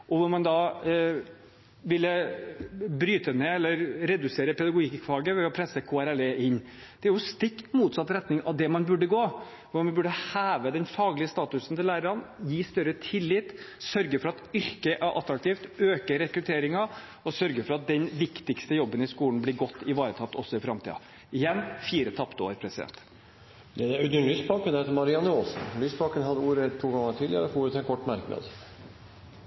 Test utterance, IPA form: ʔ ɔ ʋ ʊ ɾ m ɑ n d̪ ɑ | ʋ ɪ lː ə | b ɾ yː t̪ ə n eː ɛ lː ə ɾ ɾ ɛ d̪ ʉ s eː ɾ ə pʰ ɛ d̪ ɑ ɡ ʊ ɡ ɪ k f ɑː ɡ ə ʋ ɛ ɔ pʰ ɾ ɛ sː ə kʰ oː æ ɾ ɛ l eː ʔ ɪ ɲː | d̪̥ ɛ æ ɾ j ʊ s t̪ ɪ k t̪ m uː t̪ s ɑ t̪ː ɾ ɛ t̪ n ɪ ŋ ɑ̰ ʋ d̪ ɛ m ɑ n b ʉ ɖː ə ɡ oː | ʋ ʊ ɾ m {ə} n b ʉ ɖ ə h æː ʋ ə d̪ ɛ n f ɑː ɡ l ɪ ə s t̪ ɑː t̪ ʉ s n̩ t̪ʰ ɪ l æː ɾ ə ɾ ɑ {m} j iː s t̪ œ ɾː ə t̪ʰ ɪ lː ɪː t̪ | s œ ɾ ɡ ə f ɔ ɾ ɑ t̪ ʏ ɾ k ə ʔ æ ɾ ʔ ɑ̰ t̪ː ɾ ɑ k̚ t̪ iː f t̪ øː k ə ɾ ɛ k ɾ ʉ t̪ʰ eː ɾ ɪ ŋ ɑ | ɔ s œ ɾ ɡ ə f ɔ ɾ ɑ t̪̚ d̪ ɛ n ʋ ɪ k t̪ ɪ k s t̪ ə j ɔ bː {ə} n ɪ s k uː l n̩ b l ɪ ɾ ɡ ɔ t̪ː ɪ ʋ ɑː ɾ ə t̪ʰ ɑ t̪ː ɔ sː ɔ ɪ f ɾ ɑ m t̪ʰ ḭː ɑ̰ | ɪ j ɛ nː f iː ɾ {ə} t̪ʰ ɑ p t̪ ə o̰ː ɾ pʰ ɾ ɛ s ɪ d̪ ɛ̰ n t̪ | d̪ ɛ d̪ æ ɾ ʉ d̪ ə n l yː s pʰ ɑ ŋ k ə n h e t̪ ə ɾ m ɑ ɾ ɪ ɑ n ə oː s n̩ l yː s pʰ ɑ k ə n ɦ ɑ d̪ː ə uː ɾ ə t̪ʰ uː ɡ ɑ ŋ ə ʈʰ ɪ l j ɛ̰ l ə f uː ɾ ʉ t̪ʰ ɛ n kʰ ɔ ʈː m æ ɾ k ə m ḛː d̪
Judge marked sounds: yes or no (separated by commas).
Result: no, no, yes, yes